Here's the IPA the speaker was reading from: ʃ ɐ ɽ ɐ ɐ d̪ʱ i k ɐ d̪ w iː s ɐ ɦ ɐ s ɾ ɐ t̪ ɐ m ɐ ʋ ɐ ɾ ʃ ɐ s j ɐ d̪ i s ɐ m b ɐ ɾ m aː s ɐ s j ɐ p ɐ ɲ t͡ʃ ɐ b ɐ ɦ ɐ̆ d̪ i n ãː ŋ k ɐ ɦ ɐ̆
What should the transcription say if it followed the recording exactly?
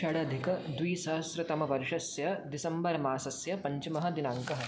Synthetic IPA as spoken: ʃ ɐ ɽ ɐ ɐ d̪ʱ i k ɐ d̪ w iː s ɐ ɦ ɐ s ɾ ɐ t̪ ɐ m ɐ ʋ ɐ ɾ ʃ ɐ s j ɐ d̪ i s ɐ m b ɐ ɾ m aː s ɐ s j ɐ p ɐ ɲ t͡ʃ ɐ m ɐ ɦ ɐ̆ d̪ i n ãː ŋ k ɐ ɦ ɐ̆

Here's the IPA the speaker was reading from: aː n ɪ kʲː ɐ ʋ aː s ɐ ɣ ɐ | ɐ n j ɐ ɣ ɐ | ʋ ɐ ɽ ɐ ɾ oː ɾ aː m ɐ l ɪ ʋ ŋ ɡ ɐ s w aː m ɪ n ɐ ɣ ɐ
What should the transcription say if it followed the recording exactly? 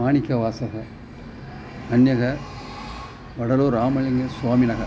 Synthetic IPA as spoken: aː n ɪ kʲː ɐ ʋ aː s ɐ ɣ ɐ | ɐ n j ɐ ɣ ɐ | ʋ ɐ ɽ ɐ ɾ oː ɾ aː m ɐ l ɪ ŋ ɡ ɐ s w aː m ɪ n ɐ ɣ ɐ

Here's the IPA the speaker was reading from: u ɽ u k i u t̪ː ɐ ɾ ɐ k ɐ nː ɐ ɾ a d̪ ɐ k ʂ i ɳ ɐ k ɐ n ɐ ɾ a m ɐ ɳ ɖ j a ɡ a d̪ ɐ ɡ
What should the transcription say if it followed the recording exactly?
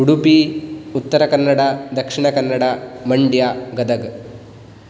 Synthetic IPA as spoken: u ɽ u p i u t̪ː ɐ ɾ ɐ k ɐ nː ɐ ɽ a d̪ ɐ k ʂ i ɳ ɐ k ɐ nː ɐ ɽ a m ɐ ɳ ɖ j a ɡ ɐ d̪ ɐ ɡ

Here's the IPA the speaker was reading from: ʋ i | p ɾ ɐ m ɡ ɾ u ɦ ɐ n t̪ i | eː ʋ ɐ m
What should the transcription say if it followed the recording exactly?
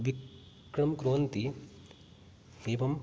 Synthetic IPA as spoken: ʋ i | k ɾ ɐ m k ɾ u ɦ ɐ n t̪ i | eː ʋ ɐ m

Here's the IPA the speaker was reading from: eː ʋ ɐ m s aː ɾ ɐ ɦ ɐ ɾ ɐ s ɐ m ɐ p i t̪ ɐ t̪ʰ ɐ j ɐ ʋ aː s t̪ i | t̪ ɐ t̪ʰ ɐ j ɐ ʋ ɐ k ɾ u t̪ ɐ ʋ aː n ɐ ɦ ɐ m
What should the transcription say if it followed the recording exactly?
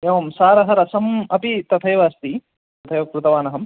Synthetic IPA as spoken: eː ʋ ɐ m s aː ɾ ɐ ɦ ɐ ɾ ɐ s ɐ m ɐ p i t̪ ɐ t̪ʰ ɐ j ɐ ʋ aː s t̪ i | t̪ ɐ t̪ʰ ɐ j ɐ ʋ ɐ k ɾ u t̪ ɐ ʋ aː n ɐ ɦ ɐ m

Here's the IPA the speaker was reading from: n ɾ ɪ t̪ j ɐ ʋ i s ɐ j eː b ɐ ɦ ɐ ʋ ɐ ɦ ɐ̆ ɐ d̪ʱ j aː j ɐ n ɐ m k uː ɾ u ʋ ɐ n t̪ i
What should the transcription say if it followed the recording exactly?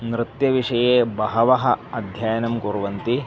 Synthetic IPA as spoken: n ɾ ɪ t̪ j ɐ ʋ i ʂ ɐ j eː b ɐ ɦ ɐ ʋ ɐ ɦ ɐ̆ ɐ d̪ʱ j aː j ɐ n ɐ m k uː ɾ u ʋ ɐ n t̪ i

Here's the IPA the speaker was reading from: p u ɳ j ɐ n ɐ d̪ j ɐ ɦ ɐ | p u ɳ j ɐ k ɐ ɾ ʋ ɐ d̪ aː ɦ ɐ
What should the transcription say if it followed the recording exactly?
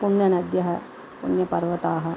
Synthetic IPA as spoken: p u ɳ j ɐ n ɐ d̪ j ɐ ɦ ɐ | p u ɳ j ɐ p ɐ ɾ ʋ ɐ t̪ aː ɦ ɐ

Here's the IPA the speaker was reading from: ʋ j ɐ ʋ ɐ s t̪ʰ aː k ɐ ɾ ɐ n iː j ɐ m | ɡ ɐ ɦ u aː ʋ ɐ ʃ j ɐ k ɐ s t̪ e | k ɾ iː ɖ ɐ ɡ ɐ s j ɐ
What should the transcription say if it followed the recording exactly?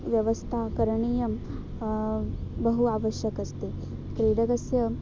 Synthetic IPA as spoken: ʋ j ɐ ʋ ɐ s t̪ʰ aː k ɐ ɾ ɐ ɳ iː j ɐ m | b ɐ ɦ u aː ʋ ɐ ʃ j ɐ k ɐ s t̪ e | k ɾ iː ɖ ɐ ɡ ɐ s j ɐ

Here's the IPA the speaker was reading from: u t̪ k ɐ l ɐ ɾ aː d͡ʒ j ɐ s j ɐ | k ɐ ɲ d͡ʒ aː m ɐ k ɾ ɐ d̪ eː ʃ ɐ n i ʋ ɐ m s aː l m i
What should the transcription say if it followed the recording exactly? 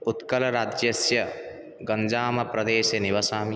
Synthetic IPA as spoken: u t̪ k ɐ l ɐ ɾ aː d͡ʒ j ɐ s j ɐ | ɡ ɐ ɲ d͡ʒ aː m ɐ p ɾ ɐ d̪ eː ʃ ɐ n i ʋ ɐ s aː m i

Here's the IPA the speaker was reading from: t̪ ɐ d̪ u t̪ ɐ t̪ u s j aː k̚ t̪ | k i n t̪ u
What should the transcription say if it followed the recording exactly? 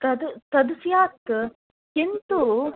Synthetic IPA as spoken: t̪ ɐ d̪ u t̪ ɐ d̪ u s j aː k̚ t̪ | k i n t̪ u

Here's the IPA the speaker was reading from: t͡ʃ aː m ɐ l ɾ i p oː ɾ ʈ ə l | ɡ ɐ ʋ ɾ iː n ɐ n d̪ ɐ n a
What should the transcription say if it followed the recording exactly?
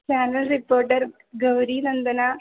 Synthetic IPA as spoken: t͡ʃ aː n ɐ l ɾ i p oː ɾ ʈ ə ɾ | ɡ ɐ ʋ ɾ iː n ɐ n d̪ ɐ n a

